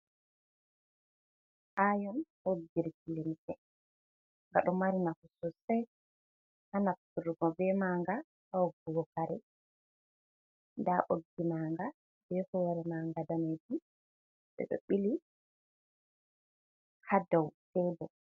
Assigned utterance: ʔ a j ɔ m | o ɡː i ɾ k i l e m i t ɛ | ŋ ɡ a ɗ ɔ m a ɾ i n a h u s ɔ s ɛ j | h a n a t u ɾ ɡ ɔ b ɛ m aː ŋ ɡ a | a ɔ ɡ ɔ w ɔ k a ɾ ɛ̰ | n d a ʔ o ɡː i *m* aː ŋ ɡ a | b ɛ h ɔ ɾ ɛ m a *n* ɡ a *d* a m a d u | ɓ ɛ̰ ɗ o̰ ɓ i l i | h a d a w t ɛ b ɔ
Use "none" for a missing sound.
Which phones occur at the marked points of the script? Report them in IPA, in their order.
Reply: m, ŋ, d

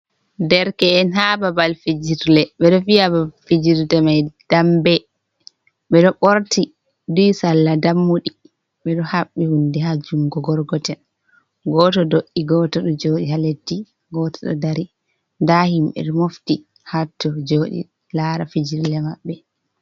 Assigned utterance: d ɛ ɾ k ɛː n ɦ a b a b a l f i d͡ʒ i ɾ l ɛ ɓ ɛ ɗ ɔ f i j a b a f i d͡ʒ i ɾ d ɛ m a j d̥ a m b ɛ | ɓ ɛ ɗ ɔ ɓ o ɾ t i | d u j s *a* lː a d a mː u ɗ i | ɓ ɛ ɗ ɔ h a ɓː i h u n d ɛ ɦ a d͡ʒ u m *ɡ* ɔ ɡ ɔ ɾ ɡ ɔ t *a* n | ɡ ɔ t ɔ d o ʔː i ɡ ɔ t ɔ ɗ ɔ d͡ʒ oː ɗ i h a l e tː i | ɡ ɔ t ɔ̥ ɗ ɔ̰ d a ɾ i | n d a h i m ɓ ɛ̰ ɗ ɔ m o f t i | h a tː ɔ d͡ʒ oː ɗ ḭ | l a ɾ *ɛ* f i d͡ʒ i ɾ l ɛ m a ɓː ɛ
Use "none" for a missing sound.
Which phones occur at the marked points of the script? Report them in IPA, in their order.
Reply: a, ɡ, ɛ, a

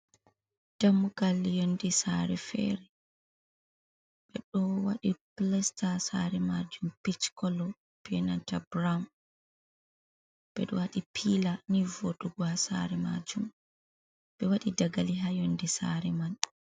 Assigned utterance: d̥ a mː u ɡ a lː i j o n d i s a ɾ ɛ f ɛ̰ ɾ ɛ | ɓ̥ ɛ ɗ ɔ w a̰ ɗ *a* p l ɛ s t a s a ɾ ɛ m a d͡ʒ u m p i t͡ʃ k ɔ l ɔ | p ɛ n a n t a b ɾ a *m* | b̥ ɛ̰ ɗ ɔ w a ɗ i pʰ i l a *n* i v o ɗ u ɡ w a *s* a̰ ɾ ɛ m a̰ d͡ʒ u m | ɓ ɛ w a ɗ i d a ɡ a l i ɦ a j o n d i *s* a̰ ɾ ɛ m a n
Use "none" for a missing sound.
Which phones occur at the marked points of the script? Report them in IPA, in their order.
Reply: i, m, n, s, s

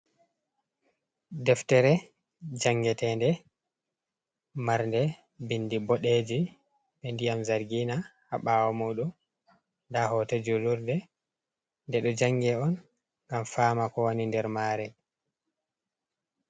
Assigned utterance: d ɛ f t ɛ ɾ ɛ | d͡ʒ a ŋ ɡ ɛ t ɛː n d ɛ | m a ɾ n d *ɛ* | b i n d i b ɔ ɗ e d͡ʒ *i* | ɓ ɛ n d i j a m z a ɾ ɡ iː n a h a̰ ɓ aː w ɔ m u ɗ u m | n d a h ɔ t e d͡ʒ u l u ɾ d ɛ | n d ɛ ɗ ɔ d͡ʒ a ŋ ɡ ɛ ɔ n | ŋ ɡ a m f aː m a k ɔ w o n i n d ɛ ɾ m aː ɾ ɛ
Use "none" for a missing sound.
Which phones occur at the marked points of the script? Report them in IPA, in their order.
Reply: ɛ, i

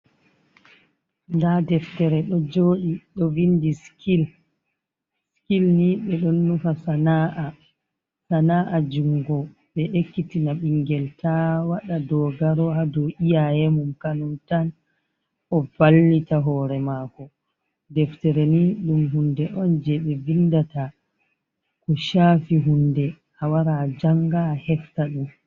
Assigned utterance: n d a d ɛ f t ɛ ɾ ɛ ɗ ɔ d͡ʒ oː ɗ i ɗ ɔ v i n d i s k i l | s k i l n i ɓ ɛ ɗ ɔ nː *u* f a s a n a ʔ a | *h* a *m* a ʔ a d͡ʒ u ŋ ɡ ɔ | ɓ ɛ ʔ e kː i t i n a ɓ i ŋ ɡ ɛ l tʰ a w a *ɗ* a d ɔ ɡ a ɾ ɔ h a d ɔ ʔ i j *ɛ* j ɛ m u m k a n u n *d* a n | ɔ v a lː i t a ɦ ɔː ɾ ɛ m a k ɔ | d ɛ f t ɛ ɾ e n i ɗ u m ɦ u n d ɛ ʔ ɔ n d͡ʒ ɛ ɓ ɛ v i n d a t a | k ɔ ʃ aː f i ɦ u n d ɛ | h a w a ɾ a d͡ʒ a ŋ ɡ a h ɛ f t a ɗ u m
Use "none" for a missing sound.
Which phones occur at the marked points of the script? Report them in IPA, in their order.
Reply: u, s, n, ɗ, a, t

